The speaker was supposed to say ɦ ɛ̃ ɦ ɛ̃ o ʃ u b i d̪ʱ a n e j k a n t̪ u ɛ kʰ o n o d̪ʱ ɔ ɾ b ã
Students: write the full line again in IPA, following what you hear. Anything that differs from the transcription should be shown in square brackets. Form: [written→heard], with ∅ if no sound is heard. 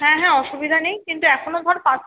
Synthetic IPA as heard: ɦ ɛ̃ ɦ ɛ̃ [o→ɔ] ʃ u b i d̪ʱ a n e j k [a→i] n t̪ u ɛ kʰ o n o d̪ʱ ɔ ɾ [b→p] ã